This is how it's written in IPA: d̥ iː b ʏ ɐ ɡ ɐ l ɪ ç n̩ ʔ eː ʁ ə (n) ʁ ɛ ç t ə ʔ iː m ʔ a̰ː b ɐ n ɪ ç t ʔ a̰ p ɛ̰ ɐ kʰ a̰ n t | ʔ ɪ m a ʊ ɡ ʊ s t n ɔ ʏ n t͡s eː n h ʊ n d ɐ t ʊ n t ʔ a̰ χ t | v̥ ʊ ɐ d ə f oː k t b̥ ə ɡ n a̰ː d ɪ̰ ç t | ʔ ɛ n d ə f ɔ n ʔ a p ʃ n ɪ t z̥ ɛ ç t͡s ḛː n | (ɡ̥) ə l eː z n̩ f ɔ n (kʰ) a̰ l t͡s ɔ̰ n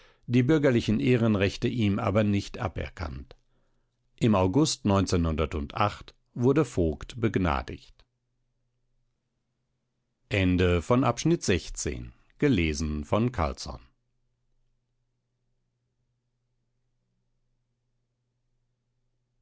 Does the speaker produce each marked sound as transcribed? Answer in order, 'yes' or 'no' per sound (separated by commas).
yes, yes, yes